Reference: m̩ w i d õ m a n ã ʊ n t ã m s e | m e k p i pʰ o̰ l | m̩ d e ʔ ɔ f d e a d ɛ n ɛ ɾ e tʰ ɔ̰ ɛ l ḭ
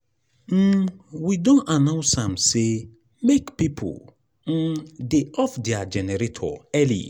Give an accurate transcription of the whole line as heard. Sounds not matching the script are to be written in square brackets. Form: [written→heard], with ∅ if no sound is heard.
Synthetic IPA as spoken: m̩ w i d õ [m→n] a n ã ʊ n [t→s] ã m s e | m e k p i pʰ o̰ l | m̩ d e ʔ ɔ f d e a [d→d͡ʒ] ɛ n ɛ ɾ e tʰ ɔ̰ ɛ l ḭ